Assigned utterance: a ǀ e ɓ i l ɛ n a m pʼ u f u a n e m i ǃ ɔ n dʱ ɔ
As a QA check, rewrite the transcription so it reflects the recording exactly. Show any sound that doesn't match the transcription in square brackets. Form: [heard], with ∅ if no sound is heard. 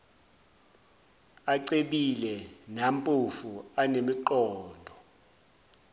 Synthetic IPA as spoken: a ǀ e ɓ i l ɛ n a m pʼ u f u a n e m i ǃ [ɔː] n dʱ ɔ